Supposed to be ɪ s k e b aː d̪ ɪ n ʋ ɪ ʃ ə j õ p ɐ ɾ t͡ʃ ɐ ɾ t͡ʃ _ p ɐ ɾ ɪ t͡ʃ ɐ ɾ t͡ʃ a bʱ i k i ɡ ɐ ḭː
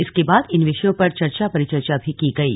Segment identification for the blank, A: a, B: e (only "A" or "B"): A